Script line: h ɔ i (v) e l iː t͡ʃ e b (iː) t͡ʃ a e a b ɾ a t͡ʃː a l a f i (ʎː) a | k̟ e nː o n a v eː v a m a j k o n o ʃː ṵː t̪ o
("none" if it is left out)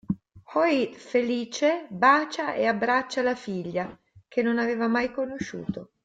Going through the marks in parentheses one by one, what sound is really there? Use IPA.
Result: f, aː, ʎː

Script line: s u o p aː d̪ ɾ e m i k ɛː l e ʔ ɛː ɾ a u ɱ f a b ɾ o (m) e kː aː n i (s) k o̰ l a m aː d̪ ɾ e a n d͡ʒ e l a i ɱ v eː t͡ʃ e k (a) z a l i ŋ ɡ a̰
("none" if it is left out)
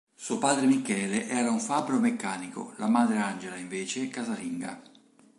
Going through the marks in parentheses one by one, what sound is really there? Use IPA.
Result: m, none, a

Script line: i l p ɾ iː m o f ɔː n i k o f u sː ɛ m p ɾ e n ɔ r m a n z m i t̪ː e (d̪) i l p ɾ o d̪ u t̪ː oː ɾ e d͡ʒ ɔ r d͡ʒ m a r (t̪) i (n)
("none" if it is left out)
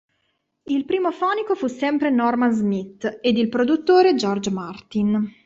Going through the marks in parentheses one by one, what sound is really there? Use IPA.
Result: d̪, t̪, n

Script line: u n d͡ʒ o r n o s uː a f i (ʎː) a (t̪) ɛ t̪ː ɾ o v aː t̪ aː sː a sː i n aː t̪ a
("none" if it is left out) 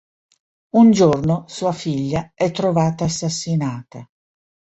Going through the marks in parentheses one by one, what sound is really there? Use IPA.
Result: ʎː, none

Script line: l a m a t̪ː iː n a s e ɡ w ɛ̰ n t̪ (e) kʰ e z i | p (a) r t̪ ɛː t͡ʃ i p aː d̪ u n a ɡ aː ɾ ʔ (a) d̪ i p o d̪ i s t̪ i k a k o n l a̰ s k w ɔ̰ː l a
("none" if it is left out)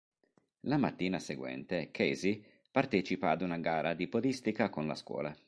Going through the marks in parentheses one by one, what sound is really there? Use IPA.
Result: e, a, a

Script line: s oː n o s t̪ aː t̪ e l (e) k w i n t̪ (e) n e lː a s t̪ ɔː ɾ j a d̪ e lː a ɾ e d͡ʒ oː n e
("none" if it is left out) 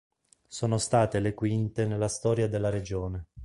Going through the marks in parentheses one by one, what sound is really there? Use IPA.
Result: e, e

